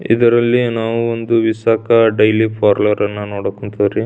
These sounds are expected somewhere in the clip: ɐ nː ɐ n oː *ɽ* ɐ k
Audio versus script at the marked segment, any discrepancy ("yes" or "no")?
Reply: no